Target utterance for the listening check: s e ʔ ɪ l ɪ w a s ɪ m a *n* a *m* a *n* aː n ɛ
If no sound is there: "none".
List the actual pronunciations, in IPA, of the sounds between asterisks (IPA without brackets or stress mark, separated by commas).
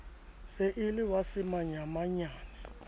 ɲ, m, ɲ